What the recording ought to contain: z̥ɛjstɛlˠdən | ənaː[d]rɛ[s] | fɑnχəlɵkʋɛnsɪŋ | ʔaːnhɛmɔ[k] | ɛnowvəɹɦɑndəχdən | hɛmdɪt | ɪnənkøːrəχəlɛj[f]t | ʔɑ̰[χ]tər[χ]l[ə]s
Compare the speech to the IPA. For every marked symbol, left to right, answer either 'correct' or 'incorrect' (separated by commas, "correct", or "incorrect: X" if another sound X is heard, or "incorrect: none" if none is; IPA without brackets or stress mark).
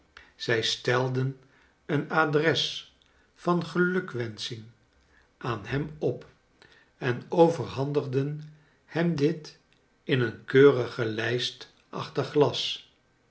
correct, correct, incorrect: p, incorrect: s, correct, correct, incorrect: ɑ